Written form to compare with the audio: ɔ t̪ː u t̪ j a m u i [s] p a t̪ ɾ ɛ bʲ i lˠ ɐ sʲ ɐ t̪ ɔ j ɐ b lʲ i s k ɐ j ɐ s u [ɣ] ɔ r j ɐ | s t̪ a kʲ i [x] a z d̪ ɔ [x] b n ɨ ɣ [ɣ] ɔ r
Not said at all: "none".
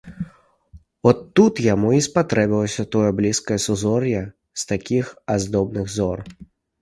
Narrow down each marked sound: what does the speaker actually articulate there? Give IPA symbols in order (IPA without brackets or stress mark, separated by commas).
s, z, x, none, z